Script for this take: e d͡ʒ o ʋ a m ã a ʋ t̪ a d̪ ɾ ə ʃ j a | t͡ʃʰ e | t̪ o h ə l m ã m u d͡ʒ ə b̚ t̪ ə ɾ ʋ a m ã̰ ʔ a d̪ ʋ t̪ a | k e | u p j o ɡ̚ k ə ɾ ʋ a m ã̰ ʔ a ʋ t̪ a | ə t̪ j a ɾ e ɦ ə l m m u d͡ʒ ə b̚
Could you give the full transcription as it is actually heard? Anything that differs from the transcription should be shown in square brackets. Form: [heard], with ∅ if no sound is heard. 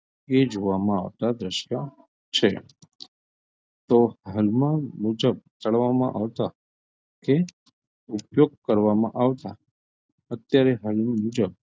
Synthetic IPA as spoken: e d͡ʒ o ʋ a m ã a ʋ t̪ a d̪ ɾ ə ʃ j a | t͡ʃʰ e | t̪ o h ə l m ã m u d͡ʒ ə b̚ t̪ ə [ɭ] ʋ a m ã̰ ʔ a [∅] ʋ t̪ a | k e | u p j o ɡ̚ k ə ɾ ʋ a m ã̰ ʔ a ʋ t̪ a | ə t̪ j a ɾ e ɦ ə l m m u d͡ʒ ə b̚